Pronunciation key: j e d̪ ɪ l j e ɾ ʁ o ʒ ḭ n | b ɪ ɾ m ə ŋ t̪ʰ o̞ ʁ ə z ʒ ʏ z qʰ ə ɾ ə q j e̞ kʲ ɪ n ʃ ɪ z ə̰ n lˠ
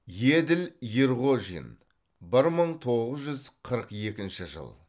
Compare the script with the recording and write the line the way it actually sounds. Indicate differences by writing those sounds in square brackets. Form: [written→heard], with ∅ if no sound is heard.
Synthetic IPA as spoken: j e d̪ ɪ l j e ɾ ʁ o ʒ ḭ n | b ɪ ɾ m ə [ŋ→ɴ] t̪ʰ o̞ ʁ ə z ʒ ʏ z qʰ ə ɾ ə q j e̞ kʲ ɪ n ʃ ɪ [z→ʒ] ə̰ [n→∅] lˠ